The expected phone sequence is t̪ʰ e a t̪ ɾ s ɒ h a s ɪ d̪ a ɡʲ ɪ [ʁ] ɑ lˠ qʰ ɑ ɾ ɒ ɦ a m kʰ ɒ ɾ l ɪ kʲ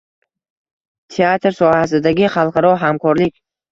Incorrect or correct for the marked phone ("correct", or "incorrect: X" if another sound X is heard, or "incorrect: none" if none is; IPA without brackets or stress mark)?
incorrect: χ